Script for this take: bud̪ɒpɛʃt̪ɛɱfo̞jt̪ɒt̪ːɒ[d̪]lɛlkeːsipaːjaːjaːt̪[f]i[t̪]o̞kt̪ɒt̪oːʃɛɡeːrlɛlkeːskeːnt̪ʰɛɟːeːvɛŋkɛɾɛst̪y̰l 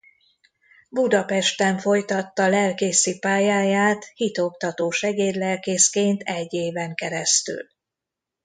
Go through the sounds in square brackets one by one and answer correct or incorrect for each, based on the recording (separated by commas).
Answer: incorrect, incorrect, correct